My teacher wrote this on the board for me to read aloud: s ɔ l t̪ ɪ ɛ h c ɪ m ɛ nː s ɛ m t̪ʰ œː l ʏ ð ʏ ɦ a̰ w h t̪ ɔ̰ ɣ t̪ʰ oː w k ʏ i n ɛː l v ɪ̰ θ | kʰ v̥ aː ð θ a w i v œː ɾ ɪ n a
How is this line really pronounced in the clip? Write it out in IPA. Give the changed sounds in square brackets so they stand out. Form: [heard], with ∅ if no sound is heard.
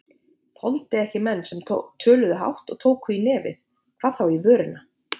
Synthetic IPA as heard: [θ] ɔ l t̪ ɪ ɛ h c ɪ m ɛ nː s ɛ m t̪ʰ œː l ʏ ð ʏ ɦ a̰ w h t̪ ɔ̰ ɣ t̪ʰ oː w k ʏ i n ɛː [∅] v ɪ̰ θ | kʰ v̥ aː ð θ a w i v œː ɾ ɪ n a

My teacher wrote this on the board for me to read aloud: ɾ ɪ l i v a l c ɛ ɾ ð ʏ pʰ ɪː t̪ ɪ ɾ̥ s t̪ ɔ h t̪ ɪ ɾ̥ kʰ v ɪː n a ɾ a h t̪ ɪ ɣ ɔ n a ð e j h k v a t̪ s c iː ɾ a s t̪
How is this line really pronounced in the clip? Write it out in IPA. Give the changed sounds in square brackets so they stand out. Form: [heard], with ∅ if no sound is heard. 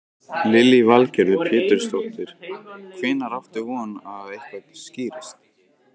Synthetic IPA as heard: [l] ɪ l i v a l c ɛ ɾ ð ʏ pʰ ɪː t̪ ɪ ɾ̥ s t̪ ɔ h t̪ ɪ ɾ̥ kʰ v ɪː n a ɾ a [f] t̪ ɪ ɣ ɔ n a ð e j h k v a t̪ s c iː ɾ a s t̪

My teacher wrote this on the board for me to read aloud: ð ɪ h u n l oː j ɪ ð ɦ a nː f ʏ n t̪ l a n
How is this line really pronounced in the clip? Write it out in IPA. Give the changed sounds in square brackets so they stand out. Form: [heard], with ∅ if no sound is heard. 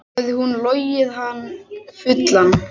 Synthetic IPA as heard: ð ɪ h u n l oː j ɪ ð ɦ a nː f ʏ [∅] t̪ l a n

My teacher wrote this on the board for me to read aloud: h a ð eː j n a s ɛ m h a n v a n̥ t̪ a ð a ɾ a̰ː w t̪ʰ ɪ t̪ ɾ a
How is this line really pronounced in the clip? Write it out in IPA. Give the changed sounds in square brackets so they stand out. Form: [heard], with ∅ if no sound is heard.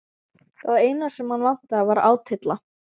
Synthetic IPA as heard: [θ] a ð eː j n a s ɛ m h a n v a n̥ t̪ a [v] a ɾ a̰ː w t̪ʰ ɪ t̪ [l] a

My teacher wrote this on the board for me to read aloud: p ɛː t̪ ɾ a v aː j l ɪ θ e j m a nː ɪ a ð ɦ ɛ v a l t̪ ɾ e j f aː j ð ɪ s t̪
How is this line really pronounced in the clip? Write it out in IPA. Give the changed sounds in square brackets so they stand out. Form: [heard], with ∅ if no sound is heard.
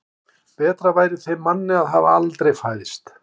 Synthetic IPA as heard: p ɛː t̪ ɾ a v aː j [ɾ] ɪ θ e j m a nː ɪ a ð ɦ [a] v a l t̪ ɾ e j f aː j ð ɪ s t̪

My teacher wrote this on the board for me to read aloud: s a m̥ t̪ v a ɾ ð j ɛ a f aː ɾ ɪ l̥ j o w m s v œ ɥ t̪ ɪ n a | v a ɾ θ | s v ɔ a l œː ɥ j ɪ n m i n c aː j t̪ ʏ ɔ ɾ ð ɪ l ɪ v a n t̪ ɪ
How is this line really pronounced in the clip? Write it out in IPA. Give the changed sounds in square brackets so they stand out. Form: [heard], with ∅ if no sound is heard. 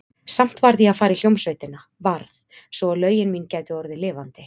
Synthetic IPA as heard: s a m̥ t̪ v a ɾ ð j ɛ a f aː ɾ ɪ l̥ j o w m s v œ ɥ t̪ ɪ n a | v a ɾ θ | s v ɔ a l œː ɥ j ɪ n m i n c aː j t̪ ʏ ɔ ɾ ð ɪ l [ɪː] v a n t̪ ɪ

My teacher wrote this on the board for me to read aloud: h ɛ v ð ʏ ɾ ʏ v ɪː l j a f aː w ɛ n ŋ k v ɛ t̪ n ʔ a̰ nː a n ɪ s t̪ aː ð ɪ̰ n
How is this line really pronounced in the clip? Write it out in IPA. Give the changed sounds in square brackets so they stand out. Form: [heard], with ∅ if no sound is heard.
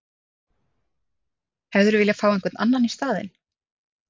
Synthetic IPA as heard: h ɛ v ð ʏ ɾ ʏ v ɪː l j a f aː w ɛ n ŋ k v ɛ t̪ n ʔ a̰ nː a n [i] s t̪ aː ð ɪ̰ n

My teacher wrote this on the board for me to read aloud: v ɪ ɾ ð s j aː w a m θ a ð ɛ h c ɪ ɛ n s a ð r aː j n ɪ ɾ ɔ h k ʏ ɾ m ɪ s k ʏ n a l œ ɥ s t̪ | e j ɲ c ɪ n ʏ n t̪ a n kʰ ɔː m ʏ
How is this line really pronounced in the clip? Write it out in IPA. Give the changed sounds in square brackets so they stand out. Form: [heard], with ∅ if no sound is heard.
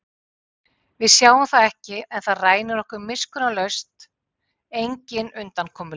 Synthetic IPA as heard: v ɪ [∅] ð s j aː w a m θ a ð ɛ h c ɪ ɛ n [θ] a ð r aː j n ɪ ɾ ɔ h k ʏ ɾ m ɪ s k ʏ n a l œ ɥ s t̪ | e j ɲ c ɪ n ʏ n t̪ a n kʰ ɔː m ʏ

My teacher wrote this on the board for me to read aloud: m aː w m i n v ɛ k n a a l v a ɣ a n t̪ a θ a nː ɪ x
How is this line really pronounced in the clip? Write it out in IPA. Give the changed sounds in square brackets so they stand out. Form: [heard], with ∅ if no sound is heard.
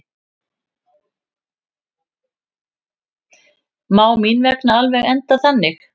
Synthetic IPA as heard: m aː w m i n v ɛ k n a a l v [ɛ] ɣ [ɛ] n t̪ a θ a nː ɪ x

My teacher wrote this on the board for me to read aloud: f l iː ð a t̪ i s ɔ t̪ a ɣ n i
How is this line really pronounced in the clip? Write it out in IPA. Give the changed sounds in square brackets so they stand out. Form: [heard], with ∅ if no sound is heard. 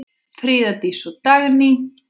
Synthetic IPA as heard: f [ɾ] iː ð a t̪ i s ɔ t̪ a ɣ n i

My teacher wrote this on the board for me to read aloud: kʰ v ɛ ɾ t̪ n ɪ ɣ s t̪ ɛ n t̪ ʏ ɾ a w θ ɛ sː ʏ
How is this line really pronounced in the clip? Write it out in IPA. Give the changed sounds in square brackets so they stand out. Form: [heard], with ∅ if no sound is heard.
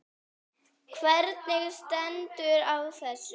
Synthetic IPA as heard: kʰ v ɛ ɾ t̪ n ɪ ɣ s t̪ ɛ n t̪ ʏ ɾ a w θ ɛ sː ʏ

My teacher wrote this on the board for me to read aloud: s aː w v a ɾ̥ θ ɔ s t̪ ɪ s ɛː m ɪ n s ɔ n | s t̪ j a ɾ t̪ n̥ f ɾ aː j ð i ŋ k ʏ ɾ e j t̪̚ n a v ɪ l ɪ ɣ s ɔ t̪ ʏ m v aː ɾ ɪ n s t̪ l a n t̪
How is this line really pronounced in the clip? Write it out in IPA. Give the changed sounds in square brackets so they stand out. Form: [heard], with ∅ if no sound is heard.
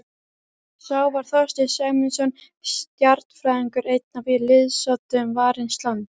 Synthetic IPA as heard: s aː w v a ɾ̥ θ ɔ s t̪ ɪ s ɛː m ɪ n s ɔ n | s t̪ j a ɾ t̪ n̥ f ɾ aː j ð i ŋ k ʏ ɾ e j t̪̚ n a v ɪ l ɪ [ð] s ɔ t̪ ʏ m v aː ɾ ɪ n s t̪ l a n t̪

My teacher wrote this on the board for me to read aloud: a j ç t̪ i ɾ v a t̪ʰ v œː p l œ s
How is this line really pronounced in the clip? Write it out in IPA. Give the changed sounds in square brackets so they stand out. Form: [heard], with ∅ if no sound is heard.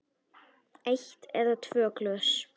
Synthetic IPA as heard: [e] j ç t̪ [ɛ] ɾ [ð] a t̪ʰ v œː [k] l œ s

